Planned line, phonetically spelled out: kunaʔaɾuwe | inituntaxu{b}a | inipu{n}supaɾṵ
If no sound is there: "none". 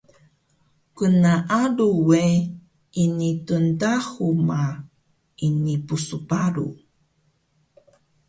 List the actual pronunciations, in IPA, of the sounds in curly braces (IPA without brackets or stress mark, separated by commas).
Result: m, none